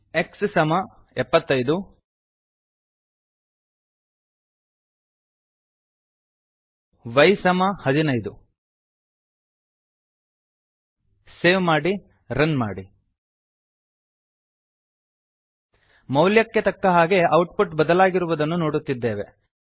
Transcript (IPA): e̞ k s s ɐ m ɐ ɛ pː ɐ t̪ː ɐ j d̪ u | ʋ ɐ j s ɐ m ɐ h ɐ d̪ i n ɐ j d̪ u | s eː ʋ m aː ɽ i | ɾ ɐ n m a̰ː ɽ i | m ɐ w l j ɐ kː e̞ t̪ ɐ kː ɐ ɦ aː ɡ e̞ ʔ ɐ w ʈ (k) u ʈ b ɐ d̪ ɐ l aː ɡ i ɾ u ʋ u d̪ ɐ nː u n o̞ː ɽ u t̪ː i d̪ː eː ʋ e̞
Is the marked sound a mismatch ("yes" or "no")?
yes